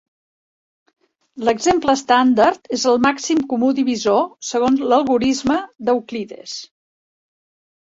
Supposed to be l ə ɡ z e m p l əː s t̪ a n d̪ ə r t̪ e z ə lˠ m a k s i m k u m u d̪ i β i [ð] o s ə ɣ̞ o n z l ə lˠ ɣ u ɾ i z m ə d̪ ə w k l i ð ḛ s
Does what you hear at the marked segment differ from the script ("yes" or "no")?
yes